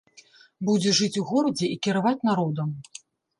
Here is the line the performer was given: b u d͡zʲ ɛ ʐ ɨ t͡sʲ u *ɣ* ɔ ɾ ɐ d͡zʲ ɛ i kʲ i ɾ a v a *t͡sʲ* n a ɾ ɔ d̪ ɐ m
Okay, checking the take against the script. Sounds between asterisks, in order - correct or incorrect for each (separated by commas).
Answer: correct, correct